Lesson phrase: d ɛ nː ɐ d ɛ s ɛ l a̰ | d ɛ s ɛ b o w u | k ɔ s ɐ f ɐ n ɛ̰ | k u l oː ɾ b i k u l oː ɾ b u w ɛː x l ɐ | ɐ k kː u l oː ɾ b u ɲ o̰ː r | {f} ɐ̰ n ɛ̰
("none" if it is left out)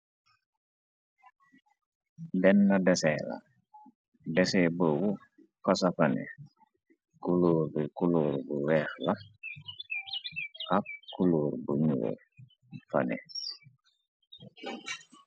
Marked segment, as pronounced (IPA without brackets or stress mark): f